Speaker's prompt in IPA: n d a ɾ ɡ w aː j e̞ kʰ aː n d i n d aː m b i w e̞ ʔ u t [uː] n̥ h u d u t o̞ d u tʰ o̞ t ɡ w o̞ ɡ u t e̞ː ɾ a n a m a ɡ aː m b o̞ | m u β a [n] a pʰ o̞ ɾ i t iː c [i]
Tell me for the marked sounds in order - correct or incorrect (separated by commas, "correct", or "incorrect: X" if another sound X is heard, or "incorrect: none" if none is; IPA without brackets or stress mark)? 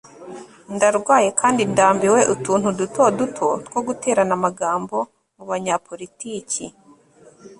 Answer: correct, incorrect: ɲ, correct